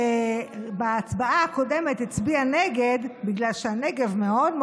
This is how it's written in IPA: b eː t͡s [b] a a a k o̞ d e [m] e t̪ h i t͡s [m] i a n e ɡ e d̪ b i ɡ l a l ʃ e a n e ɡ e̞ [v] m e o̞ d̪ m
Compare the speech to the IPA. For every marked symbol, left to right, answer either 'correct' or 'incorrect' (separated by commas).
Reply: correct, correct, incorrect, correct